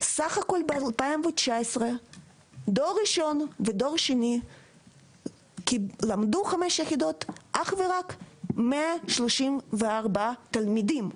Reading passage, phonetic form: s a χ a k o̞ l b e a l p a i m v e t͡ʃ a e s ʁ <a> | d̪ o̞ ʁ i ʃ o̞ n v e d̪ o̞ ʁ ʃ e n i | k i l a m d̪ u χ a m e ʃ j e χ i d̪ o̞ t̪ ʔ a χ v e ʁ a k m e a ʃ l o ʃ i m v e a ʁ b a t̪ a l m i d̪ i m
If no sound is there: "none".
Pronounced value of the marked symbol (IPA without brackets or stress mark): e